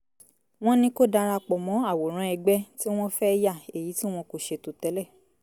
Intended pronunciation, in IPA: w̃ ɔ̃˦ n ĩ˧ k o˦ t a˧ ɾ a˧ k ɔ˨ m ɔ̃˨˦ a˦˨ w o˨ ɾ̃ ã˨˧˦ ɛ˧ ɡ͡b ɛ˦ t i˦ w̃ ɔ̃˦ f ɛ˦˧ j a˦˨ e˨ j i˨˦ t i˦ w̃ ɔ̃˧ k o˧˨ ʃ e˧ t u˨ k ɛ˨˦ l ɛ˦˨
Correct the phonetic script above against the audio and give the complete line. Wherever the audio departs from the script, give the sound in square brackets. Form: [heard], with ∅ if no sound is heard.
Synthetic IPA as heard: w̃ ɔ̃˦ n ĩ˧ k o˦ [d] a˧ ɾ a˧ [k͡p] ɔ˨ m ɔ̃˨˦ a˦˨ w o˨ ɾ̃ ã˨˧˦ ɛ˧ ɡ͡b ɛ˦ t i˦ w̃ ɔ̃˦ f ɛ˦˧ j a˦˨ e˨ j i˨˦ t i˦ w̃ ɔ̃˧ k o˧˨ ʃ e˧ t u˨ [t] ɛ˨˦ l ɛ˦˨